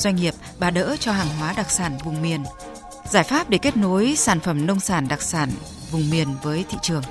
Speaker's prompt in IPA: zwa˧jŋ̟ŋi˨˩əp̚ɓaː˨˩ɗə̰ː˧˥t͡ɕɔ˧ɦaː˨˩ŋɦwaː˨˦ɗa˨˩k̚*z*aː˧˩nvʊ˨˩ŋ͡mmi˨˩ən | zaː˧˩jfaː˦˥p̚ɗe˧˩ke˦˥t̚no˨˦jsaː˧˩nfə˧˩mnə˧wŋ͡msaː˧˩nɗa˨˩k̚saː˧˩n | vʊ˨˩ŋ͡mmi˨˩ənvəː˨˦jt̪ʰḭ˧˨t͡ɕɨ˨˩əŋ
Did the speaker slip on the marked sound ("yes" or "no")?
yes